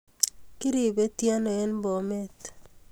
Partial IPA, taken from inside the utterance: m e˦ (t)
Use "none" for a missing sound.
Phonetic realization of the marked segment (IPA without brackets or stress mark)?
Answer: t